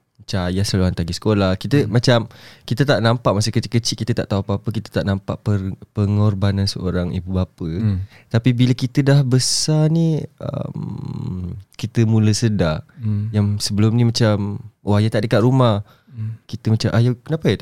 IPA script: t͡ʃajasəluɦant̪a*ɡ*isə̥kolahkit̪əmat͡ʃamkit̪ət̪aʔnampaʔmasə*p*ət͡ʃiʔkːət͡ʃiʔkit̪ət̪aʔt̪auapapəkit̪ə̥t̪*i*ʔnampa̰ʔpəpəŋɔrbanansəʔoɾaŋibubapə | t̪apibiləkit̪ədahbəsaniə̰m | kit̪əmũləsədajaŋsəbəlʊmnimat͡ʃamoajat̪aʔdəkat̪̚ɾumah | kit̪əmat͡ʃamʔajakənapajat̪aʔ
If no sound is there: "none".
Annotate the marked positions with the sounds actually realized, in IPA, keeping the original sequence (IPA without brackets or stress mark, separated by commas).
ɡ, k, a